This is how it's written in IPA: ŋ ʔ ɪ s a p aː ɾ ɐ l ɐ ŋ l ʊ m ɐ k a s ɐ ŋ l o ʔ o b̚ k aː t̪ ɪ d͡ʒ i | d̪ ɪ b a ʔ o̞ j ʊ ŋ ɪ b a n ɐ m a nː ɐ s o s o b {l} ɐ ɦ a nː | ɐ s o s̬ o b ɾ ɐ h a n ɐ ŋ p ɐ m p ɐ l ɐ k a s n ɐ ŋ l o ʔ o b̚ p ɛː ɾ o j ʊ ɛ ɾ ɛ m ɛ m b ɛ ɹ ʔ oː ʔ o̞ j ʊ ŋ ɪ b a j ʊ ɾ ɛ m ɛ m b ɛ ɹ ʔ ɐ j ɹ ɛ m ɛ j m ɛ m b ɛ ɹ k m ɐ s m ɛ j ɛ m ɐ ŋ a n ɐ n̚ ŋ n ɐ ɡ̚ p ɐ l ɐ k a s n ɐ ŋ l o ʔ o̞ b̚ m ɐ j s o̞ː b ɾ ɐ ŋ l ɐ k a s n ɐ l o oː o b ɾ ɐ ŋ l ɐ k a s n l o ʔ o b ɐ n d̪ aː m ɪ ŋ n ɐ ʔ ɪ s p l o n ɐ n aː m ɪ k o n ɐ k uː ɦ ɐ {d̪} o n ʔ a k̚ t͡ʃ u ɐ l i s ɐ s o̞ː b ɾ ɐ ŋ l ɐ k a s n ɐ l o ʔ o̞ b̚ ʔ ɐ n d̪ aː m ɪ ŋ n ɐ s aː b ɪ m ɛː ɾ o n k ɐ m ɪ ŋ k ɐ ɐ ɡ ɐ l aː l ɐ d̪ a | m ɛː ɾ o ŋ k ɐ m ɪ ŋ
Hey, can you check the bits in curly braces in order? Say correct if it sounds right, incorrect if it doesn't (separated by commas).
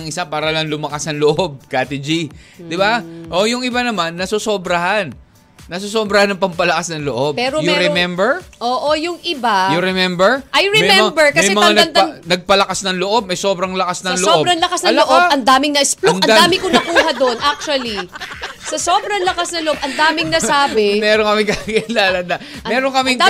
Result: incorrect, correct